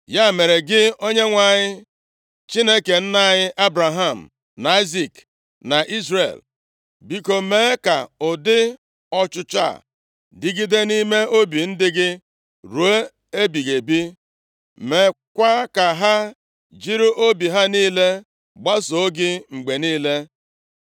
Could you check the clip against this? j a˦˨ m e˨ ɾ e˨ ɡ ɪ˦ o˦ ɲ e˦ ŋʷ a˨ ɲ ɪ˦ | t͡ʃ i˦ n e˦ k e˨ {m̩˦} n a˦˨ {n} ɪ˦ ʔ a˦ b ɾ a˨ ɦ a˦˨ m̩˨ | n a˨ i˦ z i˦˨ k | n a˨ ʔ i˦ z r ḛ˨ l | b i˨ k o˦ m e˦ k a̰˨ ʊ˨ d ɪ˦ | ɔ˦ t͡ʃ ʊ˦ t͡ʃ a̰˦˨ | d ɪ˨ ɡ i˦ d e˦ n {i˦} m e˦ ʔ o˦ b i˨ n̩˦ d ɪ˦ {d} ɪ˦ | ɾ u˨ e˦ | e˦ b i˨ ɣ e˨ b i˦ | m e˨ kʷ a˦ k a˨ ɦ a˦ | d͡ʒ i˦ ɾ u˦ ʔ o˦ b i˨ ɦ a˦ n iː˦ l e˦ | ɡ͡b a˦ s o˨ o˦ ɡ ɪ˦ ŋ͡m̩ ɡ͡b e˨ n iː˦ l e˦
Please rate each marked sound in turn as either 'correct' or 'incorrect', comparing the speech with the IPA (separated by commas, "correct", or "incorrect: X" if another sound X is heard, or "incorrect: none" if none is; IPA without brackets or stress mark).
incorrect: n̩˦, incorrect: ɲ, correct, incorrect: ɡ